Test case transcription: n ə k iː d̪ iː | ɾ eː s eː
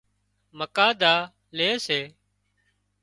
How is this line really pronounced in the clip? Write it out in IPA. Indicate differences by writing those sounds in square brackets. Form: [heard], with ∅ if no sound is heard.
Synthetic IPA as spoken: [m] ə k [aː] d̪ [aː] | [l] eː s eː